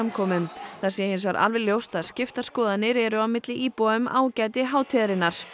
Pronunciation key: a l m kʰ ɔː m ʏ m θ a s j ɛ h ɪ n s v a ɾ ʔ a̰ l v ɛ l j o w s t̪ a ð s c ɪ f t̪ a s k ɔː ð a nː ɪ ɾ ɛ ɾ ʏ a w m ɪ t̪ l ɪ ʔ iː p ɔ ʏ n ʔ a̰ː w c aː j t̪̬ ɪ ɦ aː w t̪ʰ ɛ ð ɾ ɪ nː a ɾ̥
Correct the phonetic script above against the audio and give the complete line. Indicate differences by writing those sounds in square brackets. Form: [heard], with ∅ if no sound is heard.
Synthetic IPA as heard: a [∅] m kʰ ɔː m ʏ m θ a s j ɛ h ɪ n s v a ɾ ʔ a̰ l v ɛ l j o w s t̪ a ð s c ɪ f t̪ a s k ɔː ð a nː ɪ ɾ ɛ ɾ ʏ a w m ɪ t̪ l ɪ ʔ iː p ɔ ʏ [m] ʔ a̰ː w c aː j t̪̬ ɪ ɦ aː w t̪ʰ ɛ ð ɾ ɪ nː a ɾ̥